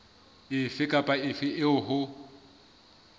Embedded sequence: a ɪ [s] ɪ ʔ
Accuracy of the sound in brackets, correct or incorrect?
incorrect